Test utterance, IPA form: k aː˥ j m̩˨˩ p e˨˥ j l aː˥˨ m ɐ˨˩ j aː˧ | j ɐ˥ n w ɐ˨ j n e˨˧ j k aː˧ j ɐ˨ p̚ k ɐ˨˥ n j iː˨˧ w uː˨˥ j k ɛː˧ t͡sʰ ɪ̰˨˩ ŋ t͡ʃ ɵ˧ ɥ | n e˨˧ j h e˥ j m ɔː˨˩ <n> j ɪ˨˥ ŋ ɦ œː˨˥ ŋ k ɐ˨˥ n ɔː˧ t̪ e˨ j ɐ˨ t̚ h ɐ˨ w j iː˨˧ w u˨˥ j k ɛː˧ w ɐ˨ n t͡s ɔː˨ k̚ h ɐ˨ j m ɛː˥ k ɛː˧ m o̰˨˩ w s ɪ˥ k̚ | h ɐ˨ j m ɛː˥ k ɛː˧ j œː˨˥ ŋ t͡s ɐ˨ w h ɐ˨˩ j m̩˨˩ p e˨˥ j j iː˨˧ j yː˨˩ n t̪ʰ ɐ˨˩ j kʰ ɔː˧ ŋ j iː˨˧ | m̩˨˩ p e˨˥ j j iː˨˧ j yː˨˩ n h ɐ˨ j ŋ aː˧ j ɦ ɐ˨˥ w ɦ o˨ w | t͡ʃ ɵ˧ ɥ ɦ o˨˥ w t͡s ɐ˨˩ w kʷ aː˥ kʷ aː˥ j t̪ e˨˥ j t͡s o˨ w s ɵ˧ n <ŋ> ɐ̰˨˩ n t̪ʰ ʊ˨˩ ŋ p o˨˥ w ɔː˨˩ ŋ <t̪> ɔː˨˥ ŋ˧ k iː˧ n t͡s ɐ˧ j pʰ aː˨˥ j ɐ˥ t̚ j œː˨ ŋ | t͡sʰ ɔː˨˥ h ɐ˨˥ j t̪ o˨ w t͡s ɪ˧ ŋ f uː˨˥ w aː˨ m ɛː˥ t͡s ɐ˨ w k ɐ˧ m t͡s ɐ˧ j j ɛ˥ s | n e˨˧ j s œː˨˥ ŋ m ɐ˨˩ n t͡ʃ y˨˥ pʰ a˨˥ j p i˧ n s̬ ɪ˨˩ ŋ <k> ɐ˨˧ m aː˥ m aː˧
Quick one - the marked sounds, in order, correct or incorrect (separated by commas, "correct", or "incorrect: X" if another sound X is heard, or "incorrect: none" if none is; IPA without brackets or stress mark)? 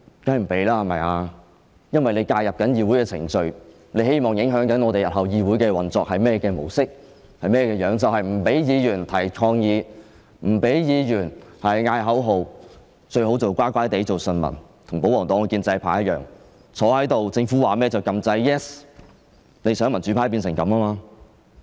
incorrect: ŋ, incorrect: m, correct, correct